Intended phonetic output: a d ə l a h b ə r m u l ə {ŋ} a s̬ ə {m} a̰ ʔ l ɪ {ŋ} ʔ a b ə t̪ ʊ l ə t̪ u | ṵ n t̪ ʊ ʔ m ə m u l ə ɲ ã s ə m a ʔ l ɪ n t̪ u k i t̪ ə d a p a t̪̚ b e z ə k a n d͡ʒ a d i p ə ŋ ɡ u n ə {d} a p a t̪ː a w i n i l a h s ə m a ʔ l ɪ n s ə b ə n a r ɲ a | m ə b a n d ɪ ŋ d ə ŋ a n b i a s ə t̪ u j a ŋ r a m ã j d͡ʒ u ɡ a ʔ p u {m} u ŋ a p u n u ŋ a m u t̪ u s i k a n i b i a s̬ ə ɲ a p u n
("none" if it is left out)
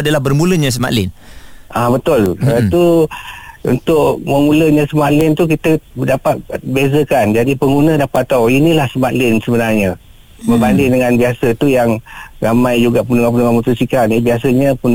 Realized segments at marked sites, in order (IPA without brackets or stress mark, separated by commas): ɲ, m, n, d, n